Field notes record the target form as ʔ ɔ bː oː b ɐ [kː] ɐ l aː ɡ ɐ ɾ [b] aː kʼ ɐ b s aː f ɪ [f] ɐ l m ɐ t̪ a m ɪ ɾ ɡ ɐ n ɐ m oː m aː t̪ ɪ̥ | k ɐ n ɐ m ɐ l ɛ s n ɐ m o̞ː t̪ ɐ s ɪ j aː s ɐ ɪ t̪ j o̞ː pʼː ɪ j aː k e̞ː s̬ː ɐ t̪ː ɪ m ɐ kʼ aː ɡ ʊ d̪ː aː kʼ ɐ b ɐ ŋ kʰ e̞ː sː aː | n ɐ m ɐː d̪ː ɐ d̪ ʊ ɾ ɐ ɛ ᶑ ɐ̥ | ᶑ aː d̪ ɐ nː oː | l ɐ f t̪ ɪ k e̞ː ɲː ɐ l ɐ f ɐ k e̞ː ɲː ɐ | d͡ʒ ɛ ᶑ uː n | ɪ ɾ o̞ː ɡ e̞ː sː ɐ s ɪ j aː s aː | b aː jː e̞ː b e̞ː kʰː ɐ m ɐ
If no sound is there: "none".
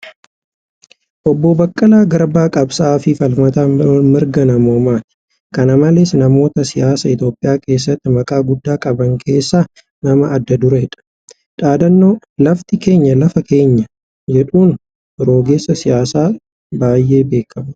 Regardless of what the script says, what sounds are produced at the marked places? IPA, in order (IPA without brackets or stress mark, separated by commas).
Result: kʼː, b, f